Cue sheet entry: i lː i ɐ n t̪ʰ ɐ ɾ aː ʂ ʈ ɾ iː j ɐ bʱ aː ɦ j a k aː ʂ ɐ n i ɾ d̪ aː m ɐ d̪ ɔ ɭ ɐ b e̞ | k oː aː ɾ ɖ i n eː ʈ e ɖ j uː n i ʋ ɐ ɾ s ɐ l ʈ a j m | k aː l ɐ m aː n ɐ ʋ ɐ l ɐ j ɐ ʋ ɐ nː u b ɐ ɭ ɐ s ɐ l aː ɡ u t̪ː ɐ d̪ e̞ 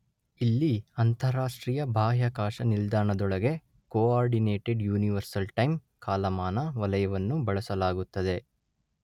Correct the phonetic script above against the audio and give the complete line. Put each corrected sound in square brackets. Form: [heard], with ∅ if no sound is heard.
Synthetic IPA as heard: i lː i ɐ n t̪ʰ ɐ ɾ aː ʂ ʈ ɾ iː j ɐ bʱ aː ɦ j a k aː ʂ ɐ n i [l] d̪ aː [ɳ] ɐ d̪ ɔ ɭ ɐ [ɡ] e̞ | k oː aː ɾ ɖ i n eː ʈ e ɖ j uː n i ʋ ɐ ɾ s ɐ l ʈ [ɐ] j m | k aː l ɐ m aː n ɐ ʋ ɐ l ɐ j ɐ ʋ ɐ nː u b ɐ ɭ ɐ s ɐ l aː ɡ u t̪ː ɐ d̪ e̞

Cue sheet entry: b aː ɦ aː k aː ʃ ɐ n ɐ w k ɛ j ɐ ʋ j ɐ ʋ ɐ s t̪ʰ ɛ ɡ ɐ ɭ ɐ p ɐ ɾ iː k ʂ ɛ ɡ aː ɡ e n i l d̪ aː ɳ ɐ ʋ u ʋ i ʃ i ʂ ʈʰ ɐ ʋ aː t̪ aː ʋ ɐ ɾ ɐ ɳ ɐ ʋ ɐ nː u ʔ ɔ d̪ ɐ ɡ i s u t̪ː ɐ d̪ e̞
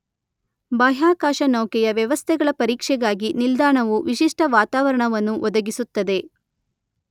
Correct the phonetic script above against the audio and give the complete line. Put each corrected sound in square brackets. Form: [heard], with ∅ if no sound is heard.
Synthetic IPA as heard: b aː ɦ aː k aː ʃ ɐ n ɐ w k ɛ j ɐ ʋ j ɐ ʋ ɐ s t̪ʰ ɛ ɡ ɐ ɭ ɐ p ɐ ɾ iː k ʂ ɛ ɡ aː ɡ [i] n i l d̪ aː ɳ ɐ ʋ u ʋ i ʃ i ʂ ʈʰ ɐ ʋ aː t̪ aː ʋ ɐ ɾ ɐ ɳ ɐ ʋ ɐ nː u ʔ ɔ d̪ ɐ ɡ i s u t̪ː ɐ d̪ e̞

